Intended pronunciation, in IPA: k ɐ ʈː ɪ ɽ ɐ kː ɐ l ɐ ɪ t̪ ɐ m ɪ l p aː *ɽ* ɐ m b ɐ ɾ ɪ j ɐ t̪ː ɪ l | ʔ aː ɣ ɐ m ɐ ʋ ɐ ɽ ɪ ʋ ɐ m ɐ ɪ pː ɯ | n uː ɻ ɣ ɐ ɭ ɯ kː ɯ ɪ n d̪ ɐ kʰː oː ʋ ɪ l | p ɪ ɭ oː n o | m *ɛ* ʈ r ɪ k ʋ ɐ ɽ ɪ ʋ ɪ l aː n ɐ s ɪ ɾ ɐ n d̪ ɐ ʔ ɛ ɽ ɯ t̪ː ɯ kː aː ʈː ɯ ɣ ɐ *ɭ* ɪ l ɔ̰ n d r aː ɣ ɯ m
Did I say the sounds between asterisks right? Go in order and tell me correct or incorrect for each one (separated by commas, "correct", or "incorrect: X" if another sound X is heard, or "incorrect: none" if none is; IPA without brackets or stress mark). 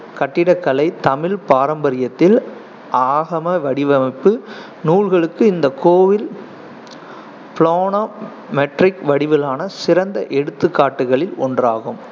incorrect: ɾ, correct, correct